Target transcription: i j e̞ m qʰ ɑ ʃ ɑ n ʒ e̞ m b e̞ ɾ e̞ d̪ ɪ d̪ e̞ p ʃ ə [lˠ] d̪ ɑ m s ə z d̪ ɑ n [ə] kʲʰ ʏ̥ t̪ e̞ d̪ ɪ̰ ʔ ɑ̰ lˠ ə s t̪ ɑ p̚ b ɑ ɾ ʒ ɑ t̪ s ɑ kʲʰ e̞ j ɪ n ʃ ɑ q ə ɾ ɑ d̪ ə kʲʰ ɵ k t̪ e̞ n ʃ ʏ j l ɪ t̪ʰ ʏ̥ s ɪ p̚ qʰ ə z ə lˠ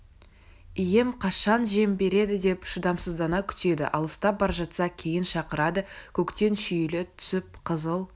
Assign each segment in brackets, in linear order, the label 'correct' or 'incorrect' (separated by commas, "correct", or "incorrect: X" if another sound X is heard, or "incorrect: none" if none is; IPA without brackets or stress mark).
incorrect: none, incorrect: ɑ